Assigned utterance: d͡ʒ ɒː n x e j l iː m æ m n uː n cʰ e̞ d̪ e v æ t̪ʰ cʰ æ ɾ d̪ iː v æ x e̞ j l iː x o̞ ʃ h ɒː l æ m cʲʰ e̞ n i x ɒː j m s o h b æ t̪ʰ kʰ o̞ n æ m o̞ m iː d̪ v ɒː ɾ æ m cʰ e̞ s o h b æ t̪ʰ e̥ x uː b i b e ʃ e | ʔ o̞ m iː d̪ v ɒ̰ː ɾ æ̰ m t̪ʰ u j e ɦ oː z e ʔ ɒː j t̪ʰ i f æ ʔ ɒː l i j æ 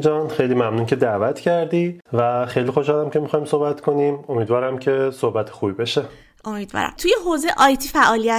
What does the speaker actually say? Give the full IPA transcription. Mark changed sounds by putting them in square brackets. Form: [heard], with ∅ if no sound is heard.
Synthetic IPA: d͡ʒ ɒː n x e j l iː m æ m n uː n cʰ e̞ d̪ [æ] v æ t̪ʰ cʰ æ ɾ d̪ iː v æ x e̞ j l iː x o̞ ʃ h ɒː l æ m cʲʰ e̞ [m] i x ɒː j m s o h b æ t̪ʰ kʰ o̞ n [i] m o̞ m iː d̪ v ɒː ɾ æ m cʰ e̞ s o h b æ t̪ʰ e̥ x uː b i b e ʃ e | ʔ o̞ m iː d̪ v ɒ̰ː ɾ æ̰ m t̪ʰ u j e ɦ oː z e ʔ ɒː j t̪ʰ i f æ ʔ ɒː l i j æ